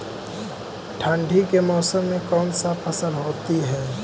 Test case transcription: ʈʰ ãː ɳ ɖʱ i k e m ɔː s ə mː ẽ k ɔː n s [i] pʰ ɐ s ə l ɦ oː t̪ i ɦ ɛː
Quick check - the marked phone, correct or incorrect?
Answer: incorrect: a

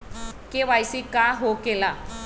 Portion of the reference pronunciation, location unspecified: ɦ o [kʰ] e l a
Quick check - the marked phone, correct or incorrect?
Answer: incorrect: k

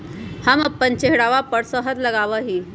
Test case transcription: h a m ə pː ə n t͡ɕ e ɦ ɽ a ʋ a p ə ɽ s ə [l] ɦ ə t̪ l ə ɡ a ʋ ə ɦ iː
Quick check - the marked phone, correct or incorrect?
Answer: incorrect: none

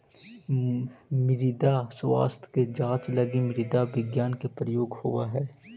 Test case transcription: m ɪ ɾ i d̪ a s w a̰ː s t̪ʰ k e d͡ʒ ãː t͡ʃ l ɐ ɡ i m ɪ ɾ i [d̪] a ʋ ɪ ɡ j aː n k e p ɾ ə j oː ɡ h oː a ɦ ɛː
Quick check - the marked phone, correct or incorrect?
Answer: correct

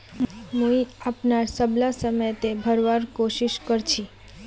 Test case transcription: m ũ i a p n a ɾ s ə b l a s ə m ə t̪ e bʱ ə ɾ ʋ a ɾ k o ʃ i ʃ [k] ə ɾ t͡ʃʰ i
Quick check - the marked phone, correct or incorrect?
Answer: correct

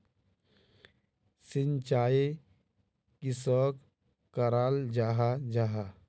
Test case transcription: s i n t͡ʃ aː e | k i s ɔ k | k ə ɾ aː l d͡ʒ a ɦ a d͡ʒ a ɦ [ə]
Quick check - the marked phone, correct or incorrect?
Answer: incorrect: a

